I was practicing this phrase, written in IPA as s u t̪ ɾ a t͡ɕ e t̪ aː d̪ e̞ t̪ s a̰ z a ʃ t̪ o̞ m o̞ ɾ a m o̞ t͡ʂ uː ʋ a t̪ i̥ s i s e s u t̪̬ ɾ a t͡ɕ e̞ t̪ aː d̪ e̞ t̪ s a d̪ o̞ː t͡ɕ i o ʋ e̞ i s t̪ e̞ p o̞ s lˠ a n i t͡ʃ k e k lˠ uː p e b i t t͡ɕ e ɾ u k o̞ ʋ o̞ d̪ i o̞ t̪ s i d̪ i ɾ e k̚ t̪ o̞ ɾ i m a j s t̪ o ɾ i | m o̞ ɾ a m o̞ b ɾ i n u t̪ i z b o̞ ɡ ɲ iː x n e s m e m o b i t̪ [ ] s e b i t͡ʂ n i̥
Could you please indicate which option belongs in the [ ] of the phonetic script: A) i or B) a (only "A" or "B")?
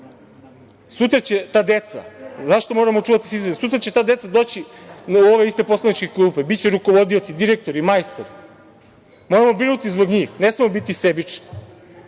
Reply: A